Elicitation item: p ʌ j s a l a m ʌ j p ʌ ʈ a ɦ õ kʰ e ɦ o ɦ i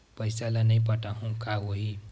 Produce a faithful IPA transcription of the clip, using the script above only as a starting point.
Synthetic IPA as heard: p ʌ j s a l a n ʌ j p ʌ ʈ a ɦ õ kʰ a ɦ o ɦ i

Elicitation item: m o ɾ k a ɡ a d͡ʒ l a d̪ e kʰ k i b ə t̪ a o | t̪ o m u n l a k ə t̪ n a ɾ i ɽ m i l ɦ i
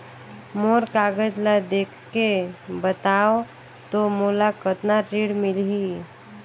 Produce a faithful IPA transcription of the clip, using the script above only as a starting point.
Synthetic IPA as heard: m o ɾ k a ɡ ə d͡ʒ l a d̪ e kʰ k e b ə t̪ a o | t̪ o m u l a k ə t̪ n a ɾ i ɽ m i l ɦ i

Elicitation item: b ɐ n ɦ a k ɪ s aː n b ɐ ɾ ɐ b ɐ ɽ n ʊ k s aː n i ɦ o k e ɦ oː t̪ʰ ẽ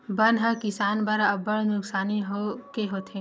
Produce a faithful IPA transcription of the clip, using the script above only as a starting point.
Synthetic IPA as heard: b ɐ n ɦ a k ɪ s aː n b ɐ ɾ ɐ b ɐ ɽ n ʊ k s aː n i ɦ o k e ɦ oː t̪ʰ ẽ

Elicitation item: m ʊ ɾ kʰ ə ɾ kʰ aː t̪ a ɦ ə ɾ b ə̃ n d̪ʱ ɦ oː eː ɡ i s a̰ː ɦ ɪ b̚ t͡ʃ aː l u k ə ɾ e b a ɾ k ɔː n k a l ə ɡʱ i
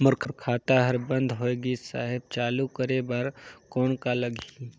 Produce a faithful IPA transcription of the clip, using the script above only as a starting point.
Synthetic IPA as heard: m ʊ ɾ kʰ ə ɾ kʰ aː t̪ a ɦ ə ɾ b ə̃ n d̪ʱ ɦ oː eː ɡ i s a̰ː ɦ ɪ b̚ t͡ʃ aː l u k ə ɾ e b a ɾ k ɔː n k a l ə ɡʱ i

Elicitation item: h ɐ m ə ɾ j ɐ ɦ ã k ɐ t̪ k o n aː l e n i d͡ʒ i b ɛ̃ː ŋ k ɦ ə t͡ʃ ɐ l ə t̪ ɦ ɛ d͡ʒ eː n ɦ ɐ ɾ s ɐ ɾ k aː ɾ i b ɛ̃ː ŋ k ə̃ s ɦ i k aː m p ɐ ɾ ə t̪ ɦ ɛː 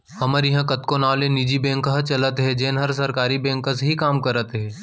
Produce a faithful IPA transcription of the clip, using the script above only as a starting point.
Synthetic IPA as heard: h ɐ m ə ɾ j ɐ ɦ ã k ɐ t̪ k o n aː l e n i d͡ʒ i b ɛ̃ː ŋ k ɦ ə t͡ʃ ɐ l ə t̪ ɦ ɛ d͡ʒ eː n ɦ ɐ ɾ s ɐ ɾ k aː ɾ i b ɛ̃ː ŋ k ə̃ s ɦ i k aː m k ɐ ɾ ə t̪ ɦ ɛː

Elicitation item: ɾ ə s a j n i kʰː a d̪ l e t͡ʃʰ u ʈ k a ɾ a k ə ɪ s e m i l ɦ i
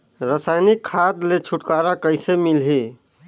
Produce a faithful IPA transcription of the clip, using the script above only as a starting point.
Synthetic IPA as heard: ɾ ə s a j n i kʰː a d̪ l e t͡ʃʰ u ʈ k a ɾ a k ə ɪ s e m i l ɦ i

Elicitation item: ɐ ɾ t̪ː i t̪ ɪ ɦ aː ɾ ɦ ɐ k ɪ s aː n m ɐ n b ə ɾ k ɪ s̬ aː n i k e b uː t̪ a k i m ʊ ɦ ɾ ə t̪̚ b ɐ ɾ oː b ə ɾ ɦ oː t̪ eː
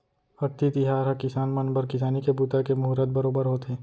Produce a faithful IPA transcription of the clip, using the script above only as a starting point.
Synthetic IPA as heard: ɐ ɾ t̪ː i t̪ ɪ ɦ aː ɾ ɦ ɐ k ɪ s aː n m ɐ n b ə ɾ k ɪ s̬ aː n i k e b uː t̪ a k e m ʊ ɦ ɾ ə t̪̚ b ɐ ɾ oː b ə ɾ ɦ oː t̪ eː

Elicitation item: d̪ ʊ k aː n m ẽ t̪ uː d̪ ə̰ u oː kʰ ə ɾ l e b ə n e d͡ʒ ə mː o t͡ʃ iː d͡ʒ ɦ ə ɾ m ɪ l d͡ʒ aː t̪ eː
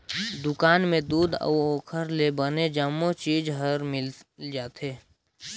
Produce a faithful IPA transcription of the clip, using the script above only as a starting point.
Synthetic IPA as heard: d̪ ʊ k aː n m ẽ d̪ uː d̪ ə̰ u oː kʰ ə ɾ l e b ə n e d͡ʒ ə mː o t͡ʃ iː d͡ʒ ɦ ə ɾ m ɪ l d͡ʒ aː t̪ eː

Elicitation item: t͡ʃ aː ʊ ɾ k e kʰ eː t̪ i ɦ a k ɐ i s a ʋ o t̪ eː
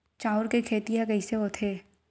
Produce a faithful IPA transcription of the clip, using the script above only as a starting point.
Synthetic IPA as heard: t͡ʃ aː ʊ ɾ k e kʰ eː t̪ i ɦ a k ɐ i s e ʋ o t̪ʰ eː

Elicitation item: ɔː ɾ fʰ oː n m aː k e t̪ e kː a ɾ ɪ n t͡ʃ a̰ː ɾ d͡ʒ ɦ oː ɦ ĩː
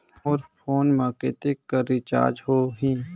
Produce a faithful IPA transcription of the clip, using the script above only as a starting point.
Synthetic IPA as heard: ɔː ɾ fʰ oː n m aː k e t̪ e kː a ɾ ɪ t͡ʃ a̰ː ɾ d͡ʒ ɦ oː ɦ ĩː

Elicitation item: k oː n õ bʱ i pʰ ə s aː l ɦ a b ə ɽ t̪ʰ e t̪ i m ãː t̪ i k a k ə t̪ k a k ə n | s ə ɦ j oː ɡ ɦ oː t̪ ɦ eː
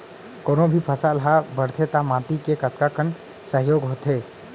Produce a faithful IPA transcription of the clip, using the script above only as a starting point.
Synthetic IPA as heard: k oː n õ bʱ i pʰ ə s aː l ɦ a b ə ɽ t̪ʰ e t̪ a m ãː t̪ i k e k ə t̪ k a k ə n | s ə ɦ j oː ɡ ɦ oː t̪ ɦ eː

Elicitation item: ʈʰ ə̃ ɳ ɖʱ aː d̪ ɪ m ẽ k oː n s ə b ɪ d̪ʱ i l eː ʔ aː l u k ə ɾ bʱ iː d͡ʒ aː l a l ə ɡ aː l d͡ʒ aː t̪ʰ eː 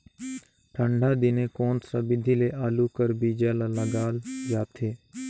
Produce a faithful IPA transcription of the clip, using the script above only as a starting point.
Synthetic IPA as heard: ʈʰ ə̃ ɳ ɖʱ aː d̪ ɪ n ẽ k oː n s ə b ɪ d̪ʱ i l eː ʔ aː l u k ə ɾ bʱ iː d͡ʒ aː l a l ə ɡ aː l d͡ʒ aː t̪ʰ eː

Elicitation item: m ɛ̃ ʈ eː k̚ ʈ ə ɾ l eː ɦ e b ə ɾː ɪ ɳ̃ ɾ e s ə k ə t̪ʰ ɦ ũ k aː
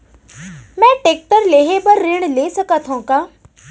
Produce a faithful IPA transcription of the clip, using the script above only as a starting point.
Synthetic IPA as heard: m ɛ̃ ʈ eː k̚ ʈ ə ɾ l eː ɦ e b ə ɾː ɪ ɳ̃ l e s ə k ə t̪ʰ ɦ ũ k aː

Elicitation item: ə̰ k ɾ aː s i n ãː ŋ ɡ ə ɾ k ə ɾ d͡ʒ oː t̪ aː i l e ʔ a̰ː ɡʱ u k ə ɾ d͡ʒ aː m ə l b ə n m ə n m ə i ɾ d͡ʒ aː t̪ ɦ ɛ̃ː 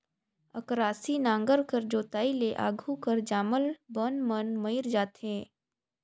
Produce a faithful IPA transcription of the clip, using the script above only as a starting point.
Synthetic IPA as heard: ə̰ k ɾ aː s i n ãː ŋ ɡ ə ɾ k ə ɾ d͡ʒ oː t̪ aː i l e ʔ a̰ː ɡʱ u k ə ɾ d͡ʒ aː m ə l b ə n m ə n m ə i ɾ d͡ʒ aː t̪ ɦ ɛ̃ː

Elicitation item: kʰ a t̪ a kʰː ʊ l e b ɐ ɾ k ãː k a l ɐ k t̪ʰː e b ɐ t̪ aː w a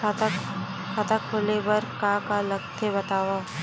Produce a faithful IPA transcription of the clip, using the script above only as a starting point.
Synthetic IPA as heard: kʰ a t̪ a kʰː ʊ l e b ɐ ɾ k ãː k a l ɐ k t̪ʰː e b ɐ t̪ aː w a

